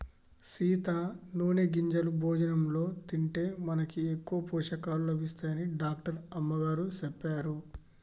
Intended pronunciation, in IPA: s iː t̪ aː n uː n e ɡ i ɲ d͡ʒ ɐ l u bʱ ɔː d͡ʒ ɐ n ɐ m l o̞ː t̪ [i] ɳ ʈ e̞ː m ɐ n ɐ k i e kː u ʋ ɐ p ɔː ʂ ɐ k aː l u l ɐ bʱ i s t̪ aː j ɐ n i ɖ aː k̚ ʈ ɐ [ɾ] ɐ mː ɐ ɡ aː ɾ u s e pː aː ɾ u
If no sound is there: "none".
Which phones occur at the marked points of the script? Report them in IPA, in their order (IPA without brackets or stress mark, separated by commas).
i, ɾ